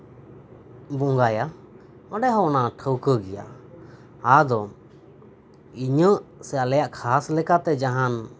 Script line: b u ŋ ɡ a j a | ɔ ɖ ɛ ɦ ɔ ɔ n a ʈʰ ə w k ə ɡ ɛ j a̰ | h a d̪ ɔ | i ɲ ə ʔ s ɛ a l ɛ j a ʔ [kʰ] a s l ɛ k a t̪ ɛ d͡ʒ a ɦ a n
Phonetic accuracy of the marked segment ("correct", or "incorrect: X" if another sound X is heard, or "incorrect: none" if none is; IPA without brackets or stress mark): correct